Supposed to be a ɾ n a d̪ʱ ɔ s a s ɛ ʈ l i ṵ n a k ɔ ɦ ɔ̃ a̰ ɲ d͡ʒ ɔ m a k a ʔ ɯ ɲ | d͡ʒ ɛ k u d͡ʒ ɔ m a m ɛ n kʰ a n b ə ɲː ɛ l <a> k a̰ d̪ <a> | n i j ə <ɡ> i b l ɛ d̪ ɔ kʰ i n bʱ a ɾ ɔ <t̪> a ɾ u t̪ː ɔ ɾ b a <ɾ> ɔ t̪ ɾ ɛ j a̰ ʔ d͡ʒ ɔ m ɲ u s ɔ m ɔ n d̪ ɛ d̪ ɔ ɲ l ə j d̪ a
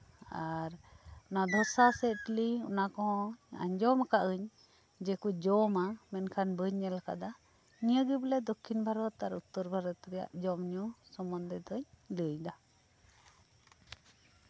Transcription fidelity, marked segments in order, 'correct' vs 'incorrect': correct, correct, correct, correct, correct

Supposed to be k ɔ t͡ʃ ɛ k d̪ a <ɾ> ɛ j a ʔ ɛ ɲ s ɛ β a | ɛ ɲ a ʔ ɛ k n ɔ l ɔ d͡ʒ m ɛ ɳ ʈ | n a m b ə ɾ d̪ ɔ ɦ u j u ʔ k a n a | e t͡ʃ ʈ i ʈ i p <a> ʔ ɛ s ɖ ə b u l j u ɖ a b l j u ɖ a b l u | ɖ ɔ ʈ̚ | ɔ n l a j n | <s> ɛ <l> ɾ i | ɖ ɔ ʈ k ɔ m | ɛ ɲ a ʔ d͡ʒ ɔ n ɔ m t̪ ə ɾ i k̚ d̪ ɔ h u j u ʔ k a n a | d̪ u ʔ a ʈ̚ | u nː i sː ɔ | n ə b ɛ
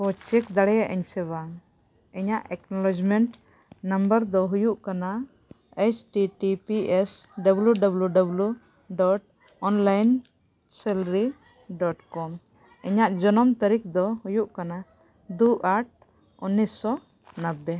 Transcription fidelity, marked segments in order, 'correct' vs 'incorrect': incorrect: ɽ, incorrect: i, correct, correct

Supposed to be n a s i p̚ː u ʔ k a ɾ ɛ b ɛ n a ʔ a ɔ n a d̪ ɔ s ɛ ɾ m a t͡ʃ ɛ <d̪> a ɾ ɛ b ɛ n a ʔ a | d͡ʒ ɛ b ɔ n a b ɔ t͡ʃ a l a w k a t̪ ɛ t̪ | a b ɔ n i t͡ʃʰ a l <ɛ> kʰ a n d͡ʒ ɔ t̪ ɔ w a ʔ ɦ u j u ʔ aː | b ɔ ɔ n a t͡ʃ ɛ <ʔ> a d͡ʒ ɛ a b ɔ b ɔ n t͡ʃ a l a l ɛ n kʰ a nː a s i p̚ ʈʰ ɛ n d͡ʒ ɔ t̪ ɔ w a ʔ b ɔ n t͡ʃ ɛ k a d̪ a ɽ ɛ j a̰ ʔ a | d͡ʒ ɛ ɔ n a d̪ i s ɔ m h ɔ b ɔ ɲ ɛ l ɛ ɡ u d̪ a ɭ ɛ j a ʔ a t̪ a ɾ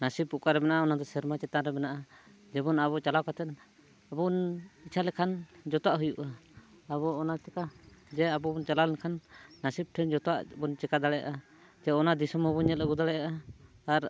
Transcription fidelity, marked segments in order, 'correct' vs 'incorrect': incorrect: t̪, correct, incorrect: k

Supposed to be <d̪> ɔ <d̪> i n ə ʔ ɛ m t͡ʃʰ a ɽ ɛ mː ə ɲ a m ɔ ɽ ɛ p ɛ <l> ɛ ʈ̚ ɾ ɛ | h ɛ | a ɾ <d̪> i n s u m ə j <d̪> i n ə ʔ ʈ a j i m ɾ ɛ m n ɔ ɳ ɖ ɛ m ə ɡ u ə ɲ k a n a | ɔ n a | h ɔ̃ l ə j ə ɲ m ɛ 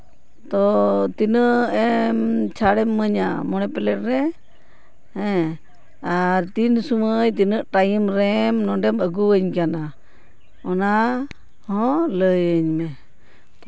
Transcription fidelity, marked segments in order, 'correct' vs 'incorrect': incorrect: t̪, incorrect: t̪, correct, incorrect: t̪, incorrect: t̪

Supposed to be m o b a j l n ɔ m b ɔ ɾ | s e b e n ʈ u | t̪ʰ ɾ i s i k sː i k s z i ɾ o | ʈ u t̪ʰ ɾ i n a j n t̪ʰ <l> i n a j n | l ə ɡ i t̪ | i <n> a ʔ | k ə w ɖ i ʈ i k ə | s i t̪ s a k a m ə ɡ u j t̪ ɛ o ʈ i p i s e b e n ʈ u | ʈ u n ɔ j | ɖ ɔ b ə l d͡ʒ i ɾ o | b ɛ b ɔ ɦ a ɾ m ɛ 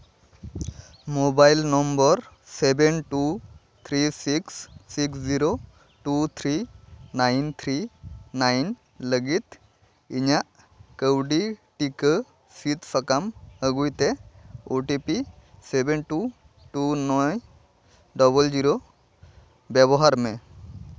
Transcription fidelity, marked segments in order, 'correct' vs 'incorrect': incorrect: ɾ, incorrect: ɲ

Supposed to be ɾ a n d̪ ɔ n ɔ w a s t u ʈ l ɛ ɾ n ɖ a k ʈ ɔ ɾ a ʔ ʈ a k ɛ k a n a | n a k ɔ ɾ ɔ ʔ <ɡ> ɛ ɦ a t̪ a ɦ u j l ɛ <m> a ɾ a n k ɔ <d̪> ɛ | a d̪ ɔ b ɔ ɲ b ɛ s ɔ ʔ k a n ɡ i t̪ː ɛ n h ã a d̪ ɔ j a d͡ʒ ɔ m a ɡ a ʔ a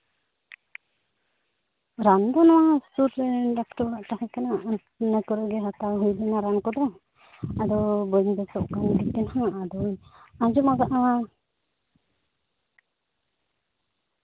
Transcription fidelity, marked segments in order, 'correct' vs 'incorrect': correct, incorrect: n, correct

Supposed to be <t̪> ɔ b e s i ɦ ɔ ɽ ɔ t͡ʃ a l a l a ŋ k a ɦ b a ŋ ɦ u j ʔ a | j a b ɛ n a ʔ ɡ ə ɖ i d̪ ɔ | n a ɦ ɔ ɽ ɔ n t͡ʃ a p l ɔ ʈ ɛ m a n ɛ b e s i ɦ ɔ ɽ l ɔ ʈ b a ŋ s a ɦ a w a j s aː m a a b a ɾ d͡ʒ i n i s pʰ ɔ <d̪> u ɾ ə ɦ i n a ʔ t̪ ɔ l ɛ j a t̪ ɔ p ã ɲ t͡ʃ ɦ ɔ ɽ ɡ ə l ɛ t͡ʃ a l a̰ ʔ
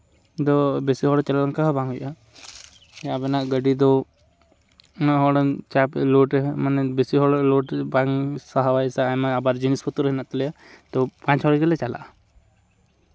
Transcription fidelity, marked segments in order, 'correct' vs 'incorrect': incorrect: d̪, incorrect: t̪

